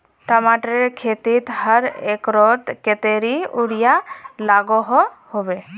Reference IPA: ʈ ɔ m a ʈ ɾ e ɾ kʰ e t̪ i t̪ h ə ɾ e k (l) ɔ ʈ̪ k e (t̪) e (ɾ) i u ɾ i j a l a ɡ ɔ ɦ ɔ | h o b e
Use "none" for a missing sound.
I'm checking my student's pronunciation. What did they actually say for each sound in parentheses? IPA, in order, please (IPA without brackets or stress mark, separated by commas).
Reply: ɾ, t̪, ɾ